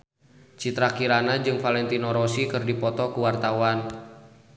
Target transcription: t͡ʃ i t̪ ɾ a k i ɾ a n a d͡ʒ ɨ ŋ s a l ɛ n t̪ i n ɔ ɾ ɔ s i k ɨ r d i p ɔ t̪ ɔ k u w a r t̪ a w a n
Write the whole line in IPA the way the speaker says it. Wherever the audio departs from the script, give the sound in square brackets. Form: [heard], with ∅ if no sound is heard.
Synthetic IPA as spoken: t͡ʃ i t̪ ɾ a k i ɾ a n a d͡ʒ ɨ ŋ [f] a l ɛ n t̪ i n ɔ ɾ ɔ s i k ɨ r d i p ɔ t̪ ɔ k u w a r t̪ a w a n